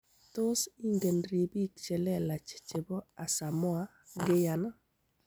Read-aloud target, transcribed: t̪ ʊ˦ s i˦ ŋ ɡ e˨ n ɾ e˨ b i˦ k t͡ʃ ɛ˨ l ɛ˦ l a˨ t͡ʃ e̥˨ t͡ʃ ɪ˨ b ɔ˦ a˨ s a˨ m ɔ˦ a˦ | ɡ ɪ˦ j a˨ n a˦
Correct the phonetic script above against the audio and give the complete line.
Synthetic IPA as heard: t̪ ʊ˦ s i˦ ŋ ɡ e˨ n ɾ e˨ b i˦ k t͡ʃ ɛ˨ l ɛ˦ l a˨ t͡ʃ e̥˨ t͡ʃ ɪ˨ b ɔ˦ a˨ s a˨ m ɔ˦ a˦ | ɡ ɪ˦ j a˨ n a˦